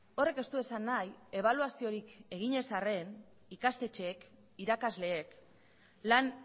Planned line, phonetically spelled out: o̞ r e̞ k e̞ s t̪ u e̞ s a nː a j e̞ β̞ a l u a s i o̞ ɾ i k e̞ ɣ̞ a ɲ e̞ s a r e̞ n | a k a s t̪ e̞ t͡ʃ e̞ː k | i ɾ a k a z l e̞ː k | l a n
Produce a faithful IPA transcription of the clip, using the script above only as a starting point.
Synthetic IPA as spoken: o̞ r e̞ k e̞ s t̪ u e̞ s a nː a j e̞ β̞ a l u a s i o̞ ɾ i k e̞ ɣ̞ i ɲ e̞ s a r e̞ n | i k a s t̪ e̞ t͡ʃ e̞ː k | i ɾ a k a z l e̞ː k | l a n